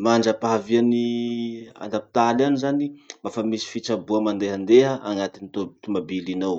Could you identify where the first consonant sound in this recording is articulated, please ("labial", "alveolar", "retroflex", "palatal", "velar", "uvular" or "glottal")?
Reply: labial